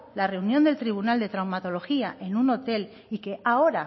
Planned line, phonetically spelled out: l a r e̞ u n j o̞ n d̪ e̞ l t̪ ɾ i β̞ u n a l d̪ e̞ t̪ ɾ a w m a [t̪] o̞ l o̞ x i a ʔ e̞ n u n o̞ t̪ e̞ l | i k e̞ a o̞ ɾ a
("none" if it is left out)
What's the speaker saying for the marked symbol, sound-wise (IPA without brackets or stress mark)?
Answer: t̪